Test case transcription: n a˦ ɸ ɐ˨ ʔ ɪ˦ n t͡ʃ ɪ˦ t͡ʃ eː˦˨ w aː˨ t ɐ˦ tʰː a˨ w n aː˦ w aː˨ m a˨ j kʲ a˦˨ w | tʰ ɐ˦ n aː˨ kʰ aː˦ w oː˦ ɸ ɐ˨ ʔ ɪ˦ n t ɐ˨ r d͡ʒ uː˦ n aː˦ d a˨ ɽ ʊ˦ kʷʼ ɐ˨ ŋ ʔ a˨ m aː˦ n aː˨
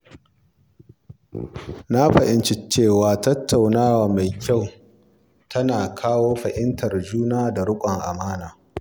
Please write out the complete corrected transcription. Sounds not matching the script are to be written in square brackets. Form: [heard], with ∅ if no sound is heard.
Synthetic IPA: n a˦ ɸ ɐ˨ ʔ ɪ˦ n t͡ʃ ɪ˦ t͡ʃ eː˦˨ w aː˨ t ɐ˦ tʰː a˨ w n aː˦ w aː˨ m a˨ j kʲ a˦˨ w | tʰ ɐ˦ n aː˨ kʰ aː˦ w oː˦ ɸ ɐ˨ ʔ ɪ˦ n t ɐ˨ r d͡ʒ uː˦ n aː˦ d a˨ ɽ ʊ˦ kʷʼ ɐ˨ ŋ ʔ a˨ m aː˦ n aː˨